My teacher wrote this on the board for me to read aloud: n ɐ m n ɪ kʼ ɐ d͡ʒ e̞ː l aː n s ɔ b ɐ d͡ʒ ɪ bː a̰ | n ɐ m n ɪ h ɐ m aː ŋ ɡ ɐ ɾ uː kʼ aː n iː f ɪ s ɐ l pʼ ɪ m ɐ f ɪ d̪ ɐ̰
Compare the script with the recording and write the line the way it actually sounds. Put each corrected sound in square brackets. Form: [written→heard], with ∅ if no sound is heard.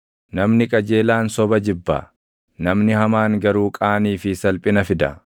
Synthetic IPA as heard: n ɐ m n ɪ kʼ ɐ d͡ʒ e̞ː l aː n s ɔ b ɐ d͡ʒ ɪ bː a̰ | n ɐ m n ɪ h ɐ m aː ŋ ɡ ɐ ɾ uː kʼ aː n iː f ɪ s ɐ l pʼ ɪ [m→n] ɐ f ɪ d̪ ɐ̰